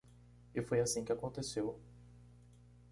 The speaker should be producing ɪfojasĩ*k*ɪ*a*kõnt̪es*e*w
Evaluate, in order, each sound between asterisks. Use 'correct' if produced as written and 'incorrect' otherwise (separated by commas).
correct, correct, correct